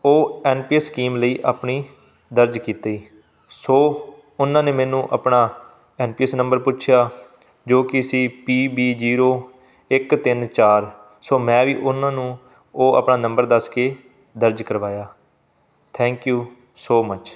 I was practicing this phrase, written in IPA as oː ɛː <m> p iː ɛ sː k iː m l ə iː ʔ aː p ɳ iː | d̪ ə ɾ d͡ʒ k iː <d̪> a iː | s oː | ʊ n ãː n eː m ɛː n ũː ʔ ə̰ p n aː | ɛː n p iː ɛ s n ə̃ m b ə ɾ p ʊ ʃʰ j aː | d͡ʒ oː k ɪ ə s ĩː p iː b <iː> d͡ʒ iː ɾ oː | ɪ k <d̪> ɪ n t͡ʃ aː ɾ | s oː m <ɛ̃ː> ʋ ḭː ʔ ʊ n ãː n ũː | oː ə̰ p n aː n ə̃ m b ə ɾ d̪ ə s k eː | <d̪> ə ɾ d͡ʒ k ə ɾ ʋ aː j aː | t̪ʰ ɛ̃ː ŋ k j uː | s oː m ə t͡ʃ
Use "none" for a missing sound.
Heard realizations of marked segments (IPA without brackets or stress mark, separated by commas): n, t̪, iː, t̪, ɛ̃ː, d̪